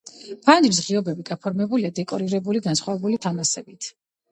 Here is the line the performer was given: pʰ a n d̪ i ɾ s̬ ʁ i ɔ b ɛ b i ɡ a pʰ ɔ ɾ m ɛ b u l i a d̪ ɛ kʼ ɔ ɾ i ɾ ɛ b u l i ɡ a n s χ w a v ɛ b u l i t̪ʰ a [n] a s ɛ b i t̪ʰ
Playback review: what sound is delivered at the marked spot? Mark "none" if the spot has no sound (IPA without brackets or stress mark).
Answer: m